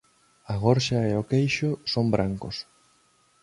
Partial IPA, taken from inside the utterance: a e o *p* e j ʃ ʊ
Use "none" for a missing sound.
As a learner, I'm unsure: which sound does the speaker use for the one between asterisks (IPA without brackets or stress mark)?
k